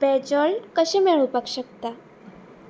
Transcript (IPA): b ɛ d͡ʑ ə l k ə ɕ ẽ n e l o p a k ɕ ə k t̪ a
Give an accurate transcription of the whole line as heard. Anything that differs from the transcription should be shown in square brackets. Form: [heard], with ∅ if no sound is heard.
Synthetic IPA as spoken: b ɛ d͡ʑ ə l k ə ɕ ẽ [m] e [ɭ] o p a k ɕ ə k t̪ a